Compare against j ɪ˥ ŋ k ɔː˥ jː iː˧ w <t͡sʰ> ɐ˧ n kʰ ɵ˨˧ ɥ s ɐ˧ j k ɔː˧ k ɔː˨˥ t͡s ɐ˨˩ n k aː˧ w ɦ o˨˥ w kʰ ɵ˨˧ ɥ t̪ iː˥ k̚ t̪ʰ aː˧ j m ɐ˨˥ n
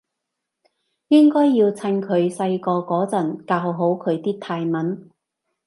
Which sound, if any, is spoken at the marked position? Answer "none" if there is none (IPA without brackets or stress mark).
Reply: t͡sʰ